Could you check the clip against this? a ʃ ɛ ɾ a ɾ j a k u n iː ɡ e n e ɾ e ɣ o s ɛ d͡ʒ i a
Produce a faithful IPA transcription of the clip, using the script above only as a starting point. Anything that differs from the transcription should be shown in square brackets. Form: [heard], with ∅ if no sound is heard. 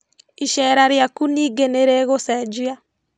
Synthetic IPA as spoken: [i] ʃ ɛ ɾ a ɾ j a k u n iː ɡ e n e ɾ e ɣ o s ɛ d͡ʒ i a